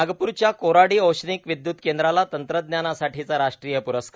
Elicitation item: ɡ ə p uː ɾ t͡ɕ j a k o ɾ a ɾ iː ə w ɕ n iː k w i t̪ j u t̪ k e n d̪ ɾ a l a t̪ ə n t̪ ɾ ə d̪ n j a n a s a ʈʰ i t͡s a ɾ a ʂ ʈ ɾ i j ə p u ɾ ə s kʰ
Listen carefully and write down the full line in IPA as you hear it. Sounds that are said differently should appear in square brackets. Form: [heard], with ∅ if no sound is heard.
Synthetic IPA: ɡ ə p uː ɾ t͡ɕ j a k o ɾ a [ɽ] iː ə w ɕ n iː k [ʋ] i [d̪] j u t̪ k e n d̪ ɾ a l a t̪ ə n t̪ ɾ ə d̪ n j a n a s a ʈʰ i t͡s a ɾ a ʂ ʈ ɾ i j ə p u ɾ ə s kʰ